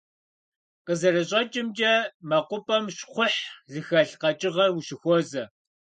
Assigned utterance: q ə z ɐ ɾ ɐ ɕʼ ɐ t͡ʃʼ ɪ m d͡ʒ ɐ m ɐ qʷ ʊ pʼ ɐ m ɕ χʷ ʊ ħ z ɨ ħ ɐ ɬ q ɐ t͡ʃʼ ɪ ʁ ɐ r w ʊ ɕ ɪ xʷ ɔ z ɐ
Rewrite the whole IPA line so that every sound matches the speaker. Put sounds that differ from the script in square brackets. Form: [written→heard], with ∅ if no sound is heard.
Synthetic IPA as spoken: q ə z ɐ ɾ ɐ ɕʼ ɐ t͡ʃʼ ɪ m d͡ʒ ɐ m ɐ qʷ ʊ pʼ ɐ m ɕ χʷ ʊ ħ z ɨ [ħ→x] ɐ ɬ q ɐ t͡ʃʼ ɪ ʁ ɐ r w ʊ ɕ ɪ xʷ ɔ z ɐ

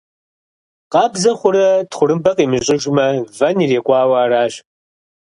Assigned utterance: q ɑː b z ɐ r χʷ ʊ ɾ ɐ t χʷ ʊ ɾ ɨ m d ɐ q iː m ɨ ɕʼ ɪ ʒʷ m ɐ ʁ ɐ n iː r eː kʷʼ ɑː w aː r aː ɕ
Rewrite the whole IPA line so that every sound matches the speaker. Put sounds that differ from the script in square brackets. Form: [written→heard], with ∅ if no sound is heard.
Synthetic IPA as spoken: q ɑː b z ɐ [r→∅] χʷ ʊ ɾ ɐ t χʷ ʊ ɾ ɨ m [d→b] ɐ q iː m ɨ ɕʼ ɪ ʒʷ m ɐ [ʁ→v] ɐ n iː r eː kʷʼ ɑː w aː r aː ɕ

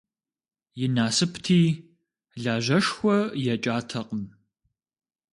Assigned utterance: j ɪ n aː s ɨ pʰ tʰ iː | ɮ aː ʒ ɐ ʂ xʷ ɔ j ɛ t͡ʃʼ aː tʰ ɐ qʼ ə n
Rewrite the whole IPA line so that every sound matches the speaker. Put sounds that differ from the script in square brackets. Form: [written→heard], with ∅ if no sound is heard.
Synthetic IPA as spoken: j ɪ n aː s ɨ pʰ tʰ iː | ɮ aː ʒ ɐ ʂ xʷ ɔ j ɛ t͡ʃʼ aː tʰ ɐ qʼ ə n

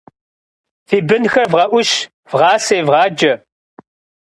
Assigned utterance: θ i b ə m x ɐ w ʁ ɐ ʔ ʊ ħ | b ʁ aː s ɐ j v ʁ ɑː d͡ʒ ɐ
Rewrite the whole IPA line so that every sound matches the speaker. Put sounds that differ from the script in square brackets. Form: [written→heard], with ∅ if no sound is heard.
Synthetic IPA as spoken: θ i b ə [m→n] x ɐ [w→v] ʁ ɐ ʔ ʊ [ħ→ʃ] | [b→v] ʁ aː s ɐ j v ʁ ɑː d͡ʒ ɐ

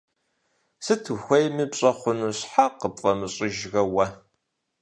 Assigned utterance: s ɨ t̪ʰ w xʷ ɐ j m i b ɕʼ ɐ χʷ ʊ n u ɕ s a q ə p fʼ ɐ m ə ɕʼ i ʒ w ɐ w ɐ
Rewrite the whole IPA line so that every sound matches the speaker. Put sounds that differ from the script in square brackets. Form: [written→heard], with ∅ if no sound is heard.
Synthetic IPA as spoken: s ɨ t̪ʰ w xʷ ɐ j m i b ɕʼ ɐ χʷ ʊ n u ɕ [s→ħ] a q ə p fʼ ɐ m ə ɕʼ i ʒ [w→ɣ] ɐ w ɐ

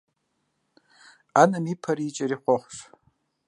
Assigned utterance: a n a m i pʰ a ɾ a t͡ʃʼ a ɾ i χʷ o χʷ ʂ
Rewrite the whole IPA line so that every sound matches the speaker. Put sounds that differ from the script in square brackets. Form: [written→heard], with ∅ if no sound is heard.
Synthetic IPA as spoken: a n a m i pʰ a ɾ [a→i] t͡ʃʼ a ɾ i χʷ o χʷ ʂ

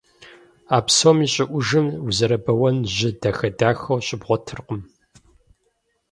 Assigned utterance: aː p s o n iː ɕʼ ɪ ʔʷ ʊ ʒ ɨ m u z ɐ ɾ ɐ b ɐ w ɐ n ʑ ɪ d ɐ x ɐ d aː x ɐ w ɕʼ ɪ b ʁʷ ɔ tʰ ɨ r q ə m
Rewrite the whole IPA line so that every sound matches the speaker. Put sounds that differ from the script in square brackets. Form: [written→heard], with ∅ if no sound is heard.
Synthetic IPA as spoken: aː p s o [n→m] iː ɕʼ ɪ ʔʷ ʊ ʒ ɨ m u z ɐ ɾ ɐ b ɐ w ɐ n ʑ ɪ d ɐ x ɐ d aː x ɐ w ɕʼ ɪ b ʁʷ ɔ tʰ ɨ r q ə m

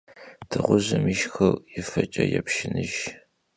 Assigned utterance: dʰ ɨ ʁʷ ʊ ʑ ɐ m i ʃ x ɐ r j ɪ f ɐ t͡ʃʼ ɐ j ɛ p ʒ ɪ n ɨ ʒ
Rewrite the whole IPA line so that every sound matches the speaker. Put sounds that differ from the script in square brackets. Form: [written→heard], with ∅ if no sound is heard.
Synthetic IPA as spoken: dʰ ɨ ʁʷ ʊ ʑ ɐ m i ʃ x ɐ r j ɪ f ɐ t͡ʃʼ ɐ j ɛ p [ʒ→ʃ] ɪ n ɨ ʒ

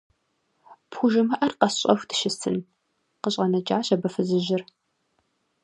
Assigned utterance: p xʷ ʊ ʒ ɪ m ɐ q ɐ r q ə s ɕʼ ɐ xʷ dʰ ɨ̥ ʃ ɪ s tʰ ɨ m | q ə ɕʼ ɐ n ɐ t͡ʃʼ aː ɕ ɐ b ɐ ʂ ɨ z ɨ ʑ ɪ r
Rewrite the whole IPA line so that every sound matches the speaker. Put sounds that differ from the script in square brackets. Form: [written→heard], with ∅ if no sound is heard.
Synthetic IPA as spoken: p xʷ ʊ ʒ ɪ m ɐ [q→ʔ] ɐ r q [ə→ɐ] s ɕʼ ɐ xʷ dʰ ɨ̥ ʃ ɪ s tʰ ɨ [m→n] | q ə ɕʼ ɐ n ɐ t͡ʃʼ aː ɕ ɐ b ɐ [ʂ→f] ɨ z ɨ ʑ ɪ r

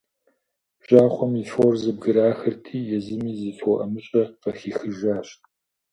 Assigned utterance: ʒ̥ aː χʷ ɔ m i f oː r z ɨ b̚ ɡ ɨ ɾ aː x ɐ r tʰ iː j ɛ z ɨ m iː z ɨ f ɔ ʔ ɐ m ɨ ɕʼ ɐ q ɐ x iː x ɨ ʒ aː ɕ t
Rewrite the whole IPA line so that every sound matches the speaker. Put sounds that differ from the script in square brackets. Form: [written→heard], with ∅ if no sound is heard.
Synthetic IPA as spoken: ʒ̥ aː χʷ ɔ m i f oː r z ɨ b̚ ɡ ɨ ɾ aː x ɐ r tʰ iː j ɛ z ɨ m iː z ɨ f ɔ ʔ ɐ m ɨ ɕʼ ɐ q ɐ x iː x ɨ ʒ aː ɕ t

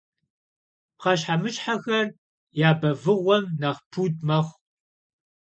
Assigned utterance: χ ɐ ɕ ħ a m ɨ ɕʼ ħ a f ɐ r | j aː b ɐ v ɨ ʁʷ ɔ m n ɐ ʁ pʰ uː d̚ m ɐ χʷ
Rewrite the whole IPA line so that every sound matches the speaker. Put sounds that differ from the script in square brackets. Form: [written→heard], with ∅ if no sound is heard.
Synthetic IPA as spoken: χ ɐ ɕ ħ a m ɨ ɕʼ ħ a [f→x] ɐ r | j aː b ɐ v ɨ ʁʷ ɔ m n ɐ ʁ pʰ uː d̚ m ɐ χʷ

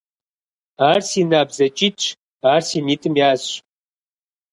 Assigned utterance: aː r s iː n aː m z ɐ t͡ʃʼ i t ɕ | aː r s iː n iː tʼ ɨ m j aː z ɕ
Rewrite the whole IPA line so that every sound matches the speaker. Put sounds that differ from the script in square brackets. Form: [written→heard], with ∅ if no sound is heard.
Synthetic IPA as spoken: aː r s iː n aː [m→b] z ɐ t͡ʃʼ i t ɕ | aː r s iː n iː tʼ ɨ m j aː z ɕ

